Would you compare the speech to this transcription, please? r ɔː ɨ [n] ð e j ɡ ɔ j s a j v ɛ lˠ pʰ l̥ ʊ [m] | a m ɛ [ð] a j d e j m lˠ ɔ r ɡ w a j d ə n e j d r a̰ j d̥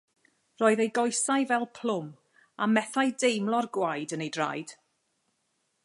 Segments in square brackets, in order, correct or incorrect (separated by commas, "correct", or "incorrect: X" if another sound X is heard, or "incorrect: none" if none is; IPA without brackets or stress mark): incorrect: none, correct, incorrect: θ